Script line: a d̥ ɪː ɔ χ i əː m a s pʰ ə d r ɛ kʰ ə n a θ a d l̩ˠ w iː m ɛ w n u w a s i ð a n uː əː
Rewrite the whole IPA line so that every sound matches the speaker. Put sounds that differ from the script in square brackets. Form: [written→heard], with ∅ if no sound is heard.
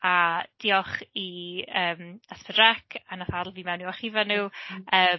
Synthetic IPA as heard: a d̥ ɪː ɔ χ i əː m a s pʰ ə d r ɛ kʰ [ə→a] n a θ a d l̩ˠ [w→v] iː m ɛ w n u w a [s→χ] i [ð→v] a n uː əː